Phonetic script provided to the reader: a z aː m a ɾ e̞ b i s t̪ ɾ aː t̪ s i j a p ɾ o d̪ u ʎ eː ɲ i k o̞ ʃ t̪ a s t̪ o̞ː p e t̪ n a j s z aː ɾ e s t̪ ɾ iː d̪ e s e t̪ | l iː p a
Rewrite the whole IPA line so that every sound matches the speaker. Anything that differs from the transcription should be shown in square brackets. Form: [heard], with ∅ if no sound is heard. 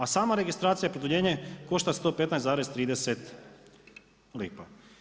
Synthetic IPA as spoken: a [s] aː m a ɾ e̞ [ɡ] i s t̪ ɾ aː t̪ s i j a p ɾ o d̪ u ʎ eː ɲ [e] k o̞ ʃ t̪ a s t̪ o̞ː p e t̪ n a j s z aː ɾ e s t̪ ɾ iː d̪ e s e t̪ | l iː p a